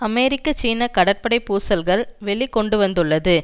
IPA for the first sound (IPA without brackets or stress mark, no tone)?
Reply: ɐ